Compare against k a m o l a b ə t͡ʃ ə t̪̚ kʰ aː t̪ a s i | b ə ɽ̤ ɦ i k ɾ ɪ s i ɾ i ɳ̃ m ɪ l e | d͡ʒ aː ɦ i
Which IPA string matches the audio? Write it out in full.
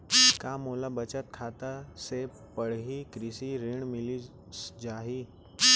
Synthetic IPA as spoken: k a m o l a b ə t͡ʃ ə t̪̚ kʰ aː t̪ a s e | p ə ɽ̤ ɦ i k ɾ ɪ s i ɾ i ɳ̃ m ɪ l i | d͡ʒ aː ɦ i